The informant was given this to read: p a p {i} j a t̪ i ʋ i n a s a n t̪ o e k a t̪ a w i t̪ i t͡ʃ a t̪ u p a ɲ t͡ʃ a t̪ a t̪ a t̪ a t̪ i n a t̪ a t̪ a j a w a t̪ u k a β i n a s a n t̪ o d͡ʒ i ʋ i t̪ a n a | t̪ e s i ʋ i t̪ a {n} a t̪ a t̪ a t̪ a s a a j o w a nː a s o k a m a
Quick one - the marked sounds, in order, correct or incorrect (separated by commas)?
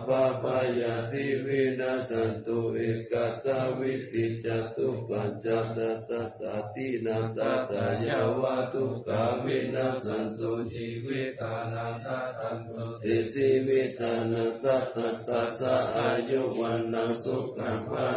incorrect, correct